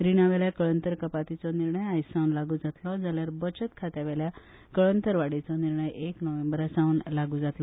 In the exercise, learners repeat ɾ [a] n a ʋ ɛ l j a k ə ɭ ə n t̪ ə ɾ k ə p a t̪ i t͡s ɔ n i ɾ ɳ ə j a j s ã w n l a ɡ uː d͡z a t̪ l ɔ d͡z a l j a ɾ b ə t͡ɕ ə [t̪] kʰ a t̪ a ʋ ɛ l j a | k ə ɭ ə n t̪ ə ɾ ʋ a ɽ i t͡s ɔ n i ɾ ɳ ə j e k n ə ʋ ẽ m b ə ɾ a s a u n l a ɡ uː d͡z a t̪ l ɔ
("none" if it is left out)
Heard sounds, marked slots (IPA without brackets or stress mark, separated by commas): i, t̪